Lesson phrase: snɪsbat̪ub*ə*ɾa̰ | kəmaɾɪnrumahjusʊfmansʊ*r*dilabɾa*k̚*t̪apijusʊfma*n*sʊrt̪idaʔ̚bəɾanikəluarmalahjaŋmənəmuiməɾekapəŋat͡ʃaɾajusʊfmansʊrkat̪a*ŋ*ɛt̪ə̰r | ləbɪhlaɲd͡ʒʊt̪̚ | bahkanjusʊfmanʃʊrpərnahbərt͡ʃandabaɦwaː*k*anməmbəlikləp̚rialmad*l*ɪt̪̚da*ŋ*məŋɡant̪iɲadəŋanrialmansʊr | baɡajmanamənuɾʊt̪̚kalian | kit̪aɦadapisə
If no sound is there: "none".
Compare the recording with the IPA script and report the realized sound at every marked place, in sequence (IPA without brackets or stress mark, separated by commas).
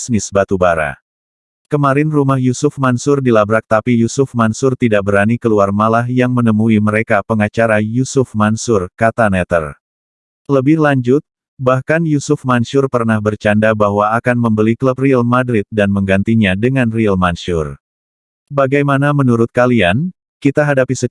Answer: a, r, k̚, n, n, k, ɾ, n